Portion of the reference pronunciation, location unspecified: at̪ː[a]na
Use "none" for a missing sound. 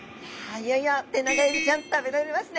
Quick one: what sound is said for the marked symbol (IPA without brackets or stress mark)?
e